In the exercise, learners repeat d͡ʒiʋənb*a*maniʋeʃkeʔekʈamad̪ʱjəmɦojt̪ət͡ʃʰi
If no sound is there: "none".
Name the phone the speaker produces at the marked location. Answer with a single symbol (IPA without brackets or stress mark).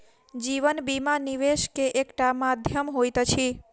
i